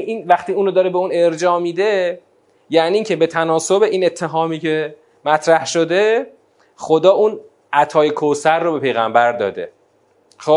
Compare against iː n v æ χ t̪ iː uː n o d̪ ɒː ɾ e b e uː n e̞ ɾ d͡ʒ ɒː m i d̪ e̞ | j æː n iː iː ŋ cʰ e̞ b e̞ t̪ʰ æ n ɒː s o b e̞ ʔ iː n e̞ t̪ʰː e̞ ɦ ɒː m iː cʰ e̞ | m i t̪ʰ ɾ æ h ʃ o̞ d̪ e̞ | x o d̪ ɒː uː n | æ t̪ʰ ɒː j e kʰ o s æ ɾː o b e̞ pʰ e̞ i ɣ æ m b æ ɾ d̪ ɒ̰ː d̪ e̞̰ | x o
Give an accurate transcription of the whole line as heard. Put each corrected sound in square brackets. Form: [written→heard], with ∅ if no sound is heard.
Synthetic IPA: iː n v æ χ t̪ iː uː n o d̪ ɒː ɾ e b e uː n e̞ ɾ d͡ʒ ɒː m i d̪ e̞ | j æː n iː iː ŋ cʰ e̞ b e̞ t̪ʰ æ n ɒː s o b e̞ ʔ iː n e̞ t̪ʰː e̞ ɦ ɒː m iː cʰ e̞ | m [i→æ] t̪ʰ ɾ æ h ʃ o̞ d̪ e̞ | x o d̪ ɒː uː n | æ t̪ʰ ɒː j e kʰ o s æ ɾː o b e̞ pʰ e̞ [i→j] ɣ æ m b æ ɾ d̪ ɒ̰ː d̪ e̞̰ | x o